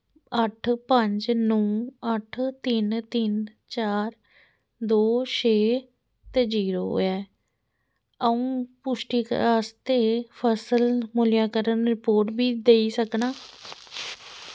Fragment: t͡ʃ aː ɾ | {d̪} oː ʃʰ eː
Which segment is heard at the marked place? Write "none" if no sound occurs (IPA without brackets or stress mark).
d̪